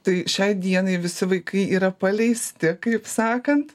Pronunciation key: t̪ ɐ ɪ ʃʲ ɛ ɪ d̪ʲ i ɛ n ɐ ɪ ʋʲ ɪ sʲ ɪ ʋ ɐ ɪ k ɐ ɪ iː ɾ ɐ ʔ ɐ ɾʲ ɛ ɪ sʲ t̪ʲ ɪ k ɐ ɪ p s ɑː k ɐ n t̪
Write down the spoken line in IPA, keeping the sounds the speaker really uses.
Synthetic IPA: t̪ ɐ ɪ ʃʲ ɛ ɪ d̪ʲ i ɛ n ɐ ɪ ʋʲ ɪ sʲ ɪ ʋ ɐ ɪ k ɐ ɪ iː ɾ ɐ p ɐ lʲ ɛ ɪ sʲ t̪ʲ ɪ k ɐ ɪ p s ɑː k ɐ n t̪

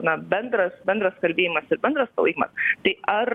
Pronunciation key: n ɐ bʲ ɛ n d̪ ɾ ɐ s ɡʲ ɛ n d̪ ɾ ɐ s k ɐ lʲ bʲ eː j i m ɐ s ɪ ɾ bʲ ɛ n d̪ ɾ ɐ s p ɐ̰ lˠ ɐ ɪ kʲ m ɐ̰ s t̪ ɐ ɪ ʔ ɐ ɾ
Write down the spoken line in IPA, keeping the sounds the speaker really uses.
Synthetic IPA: n ɐ bʲ ɛ n d̪ ɾ ɐ s bʲ ɛ n d̪ ɾ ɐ s k ɐ lʲ bʲ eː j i m ɐ s ɪ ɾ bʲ ɛ n d̪ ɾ ɐ s p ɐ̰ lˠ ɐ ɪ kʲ m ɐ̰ s t̪ ɐ ɪ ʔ ɐ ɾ

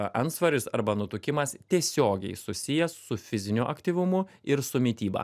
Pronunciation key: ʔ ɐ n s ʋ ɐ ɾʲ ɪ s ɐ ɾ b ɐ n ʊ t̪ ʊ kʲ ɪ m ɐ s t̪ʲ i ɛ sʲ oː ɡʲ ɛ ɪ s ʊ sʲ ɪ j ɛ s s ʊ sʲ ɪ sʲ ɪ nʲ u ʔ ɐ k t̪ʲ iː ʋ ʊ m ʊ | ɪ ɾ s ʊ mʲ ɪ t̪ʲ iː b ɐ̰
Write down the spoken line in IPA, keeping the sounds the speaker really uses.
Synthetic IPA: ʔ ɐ n s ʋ ɐ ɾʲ ɪ s ɐ ɾ b ɐ n ʊ t̪ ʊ kʲ ɪ m ɐ s t̪ʲ i ɛ sʲ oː ɡʲ ɛ ɪ s ʊ sʲ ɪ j ɛ s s ʊ fʲ ɪ zʲ ɪ nʲ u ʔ ɐ k t̪ʲ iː ʋ ʊ m ʊ | ɪ ɾ s ʊ mʲ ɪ t̪ʲ iː b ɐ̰

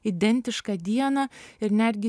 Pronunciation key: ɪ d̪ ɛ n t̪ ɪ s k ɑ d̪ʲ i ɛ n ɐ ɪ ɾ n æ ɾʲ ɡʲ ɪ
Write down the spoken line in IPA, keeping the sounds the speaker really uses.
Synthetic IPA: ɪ d̪ ɛ n t̪ ɪ ʃ k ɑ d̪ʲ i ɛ n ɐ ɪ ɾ n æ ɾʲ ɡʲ ɪ

